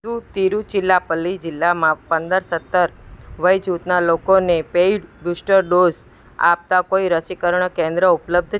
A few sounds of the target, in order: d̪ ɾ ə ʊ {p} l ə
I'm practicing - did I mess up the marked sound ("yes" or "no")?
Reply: no